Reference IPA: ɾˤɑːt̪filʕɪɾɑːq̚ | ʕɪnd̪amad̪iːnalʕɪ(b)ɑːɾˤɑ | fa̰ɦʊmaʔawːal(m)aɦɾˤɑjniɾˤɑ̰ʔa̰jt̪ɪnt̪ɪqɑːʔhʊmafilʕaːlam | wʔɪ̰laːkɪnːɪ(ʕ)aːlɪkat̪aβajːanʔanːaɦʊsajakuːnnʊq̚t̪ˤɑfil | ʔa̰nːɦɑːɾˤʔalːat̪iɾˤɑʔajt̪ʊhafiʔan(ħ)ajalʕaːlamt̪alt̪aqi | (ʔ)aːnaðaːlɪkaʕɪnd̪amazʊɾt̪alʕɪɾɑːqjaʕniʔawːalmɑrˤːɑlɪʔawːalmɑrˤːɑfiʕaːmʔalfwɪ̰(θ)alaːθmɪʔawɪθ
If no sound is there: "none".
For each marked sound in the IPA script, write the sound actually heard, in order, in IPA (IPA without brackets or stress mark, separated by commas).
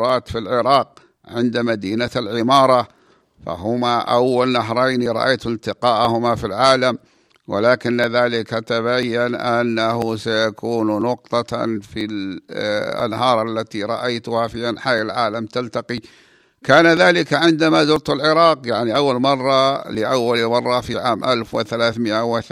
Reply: m, n, ð, ħ, k, θ